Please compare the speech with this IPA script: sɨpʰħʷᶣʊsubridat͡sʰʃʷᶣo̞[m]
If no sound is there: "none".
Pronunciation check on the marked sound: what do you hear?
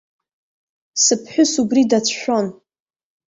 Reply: n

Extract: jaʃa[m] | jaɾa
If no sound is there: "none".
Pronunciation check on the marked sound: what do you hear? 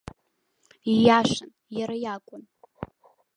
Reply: n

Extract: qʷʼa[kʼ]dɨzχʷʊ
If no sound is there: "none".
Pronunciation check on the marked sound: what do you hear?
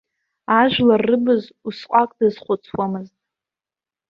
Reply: kʼ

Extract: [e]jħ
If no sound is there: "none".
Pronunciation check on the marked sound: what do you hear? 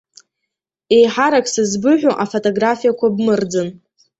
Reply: e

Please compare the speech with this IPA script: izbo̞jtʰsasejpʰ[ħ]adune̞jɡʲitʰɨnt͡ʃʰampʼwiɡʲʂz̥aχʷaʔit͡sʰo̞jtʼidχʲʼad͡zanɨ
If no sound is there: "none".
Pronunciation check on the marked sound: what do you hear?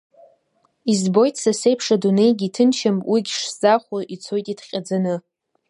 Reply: ʂ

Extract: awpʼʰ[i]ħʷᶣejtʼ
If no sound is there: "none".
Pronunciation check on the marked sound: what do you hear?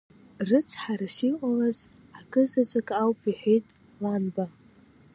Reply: i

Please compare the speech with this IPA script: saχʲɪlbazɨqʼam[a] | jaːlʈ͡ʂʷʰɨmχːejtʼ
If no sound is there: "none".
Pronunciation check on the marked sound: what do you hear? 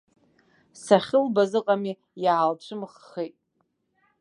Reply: i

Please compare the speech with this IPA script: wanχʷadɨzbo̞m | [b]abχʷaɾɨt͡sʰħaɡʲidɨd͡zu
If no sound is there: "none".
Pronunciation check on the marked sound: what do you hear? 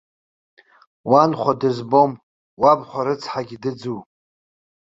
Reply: w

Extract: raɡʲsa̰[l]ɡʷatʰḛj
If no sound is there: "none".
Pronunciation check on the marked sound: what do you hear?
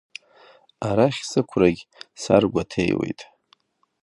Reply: r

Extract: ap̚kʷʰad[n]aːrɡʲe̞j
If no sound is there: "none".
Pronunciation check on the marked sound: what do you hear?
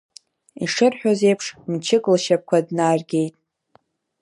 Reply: n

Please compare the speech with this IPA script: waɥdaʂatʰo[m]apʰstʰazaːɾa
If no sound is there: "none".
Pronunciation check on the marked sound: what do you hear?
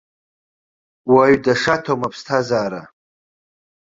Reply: m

